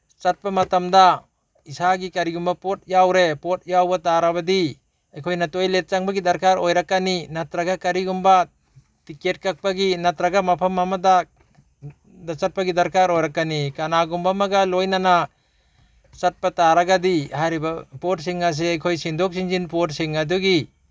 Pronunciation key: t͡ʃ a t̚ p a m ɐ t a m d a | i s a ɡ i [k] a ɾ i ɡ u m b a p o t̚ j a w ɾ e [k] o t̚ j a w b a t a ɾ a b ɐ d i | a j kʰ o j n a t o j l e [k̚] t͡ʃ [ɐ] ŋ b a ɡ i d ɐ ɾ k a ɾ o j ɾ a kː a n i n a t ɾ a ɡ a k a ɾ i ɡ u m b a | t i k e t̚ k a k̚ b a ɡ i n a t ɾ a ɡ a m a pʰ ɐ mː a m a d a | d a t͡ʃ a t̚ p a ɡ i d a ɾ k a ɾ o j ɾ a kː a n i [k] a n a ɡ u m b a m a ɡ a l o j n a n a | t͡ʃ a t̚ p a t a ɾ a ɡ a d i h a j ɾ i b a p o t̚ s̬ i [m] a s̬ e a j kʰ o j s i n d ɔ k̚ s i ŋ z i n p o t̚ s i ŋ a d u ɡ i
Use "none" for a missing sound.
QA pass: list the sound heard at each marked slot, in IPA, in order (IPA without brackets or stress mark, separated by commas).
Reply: k, p, t̚, a, k, ŋ